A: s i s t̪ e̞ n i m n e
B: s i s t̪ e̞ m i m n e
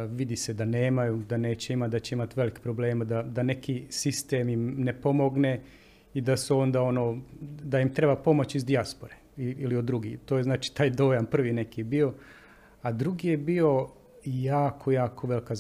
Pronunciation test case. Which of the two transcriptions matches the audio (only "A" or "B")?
B